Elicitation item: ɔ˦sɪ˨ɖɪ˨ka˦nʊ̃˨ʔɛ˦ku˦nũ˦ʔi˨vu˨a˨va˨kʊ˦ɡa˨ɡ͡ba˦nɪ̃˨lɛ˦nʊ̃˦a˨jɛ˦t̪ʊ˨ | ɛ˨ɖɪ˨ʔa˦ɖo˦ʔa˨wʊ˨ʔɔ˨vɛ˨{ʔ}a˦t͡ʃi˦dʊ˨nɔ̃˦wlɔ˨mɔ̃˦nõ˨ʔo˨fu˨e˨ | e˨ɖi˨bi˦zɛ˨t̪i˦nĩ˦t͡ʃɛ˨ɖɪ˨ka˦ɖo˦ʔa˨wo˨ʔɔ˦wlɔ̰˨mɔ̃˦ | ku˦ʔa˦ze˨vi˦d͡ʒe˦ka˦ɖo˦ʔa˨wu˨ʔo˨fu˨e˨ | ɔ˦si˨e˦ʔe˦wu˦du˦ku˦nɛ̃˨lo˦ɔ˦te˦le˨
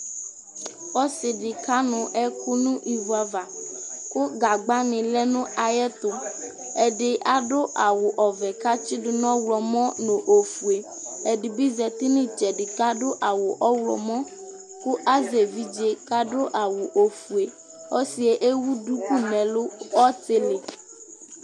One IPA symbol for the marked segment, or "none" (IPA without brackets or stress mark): k